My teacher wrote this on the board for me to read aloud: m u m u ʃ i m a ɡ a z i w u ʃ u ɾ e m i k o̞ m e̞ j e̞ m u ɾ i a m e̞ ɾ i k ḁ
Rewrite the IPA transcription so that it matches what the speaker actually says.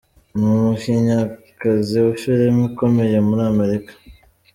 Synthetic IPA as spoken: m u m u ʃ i ɲ a k a z i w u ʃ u ɾ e m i k o̞ m e̞ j e̞ m u ɾ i a m e̞ ɾ i k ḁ

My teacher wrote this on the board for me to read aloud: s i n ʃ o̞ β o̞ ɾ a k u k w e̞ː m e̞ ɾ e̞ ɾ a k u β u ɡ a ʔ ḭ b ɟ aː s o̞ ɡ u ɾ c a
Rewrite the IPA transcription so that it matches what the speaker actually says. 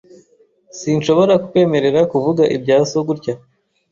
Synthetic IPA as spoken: s i n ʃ o̞ β o̞ ɾ a k u k w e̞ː m e̞ ɾ e̞ ɾ a k u v u ɡ a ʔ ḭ b ɟ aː s o̞ ɡ u ɾ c a

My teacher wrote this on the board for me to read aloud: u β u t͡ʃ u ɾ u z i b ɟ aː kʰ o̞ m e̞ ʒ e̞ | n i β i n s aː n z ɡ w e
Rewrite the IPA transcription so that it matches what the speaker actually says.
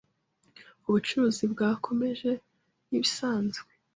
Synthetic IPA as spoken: u β u t͡ʃ u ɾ u z i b ɡ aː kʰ o̞ m e̞ ʒ e̞ | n i β i s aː n z ɡ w e

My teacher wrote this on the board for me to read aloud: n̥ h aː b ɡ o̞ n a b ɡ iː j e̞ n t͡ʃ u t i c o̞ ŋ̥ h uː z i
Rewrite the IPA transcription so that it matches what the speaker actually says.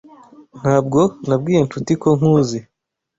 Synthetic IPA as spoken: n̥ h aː b ɡ o̞ n a b ɡ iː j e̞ n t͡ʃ u t i k o̞ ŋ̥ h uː z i

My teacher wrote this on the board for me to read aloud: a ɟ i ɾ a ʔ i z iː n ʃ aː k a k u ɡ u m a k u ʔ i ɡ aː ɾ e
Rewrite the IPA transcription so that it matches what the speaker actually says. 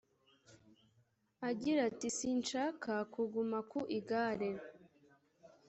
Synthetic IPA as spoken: a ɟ i ɾ a t i s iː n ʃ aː k a k u ɡ u m a k u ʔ i ɡ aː ɾ e

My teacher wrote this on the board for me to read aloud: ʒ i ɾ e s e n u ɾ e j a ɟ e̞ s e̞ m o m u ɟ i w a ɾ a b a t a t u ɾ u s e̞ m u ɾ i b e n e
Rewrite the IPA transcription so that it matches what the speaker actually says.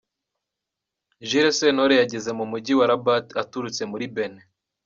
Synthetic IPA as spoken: ʒ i ɾ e s e n o ɾ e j a ɟ e̞ z e̞ m u m u ɟ i w a ɾ a b a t a t u ɾ u t͡s e̞ m u ɾ i b e n e

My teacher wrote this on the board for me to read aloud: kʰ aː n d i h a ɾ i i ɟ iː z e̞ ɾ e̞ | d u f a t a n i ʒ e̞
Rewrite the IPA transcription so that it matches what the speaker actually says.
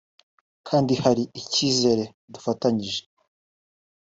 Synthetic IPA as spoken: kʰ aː n d i h a ɾ i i c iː z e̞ ɾ e̞ | d u f a t a ɲ i ʒ e̞

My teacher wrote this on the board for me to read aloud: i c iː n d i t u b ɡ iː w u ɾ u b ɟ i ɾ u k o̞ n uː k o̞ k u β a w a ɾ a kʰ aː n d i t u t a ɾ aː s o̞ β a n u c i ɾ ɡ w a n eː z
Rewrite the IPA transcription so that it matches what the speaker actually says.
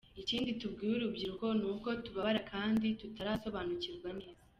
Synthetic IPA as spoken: i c iː n d i t u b ɡ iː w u ɾ u b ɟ i ɾ u k o̞ n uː k o̞ t u β a β a ɾ a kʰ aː n d i t u t a ɾ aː s o̞ β a n u c i ɾ ɡ w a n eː z

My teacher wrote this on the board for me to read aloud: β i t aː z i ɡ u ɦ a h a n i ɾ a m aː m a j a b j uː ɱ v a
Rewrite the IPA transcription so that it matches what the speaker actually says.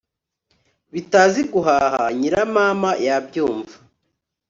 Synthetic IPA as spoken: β i t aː z i ɡ u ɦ a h a ɲ i ɾ a m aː m a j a b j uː ɱ v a

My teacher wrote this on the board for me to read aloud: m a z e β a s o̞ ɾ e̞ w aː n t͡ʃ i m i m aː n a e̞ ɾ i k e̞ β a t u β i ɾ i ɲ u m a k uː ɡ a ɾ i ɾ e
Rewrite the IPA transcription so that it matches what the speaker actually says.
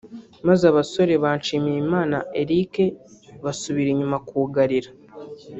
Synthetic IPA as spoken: m a z a β a s o̞ ɾ e̞ β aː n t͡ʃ i m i m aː n a e̞ ɾ i k e̞ β a s u β i ɾ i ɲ u m a k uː ɡ a ɾ i ɾ a

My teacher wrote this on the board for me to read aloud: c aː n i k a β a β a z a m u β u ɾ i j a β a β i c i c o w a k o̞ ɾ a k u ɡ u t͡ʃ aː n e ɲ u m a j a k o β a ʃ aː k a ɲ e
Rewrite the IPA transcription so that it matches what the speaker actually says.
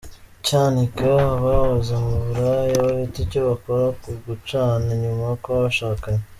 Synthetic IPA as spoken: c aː n i k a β a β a z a m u β u ɾ a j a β a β i t i c o β a k o̞ ɾ a k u ɡ u t͡ʃ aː n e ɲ u m a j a k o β a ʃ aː k a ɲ e

